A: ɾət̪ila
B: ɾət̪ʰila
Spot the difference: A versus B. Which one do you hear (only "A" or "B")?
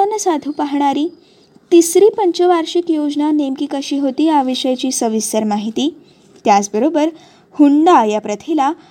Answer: B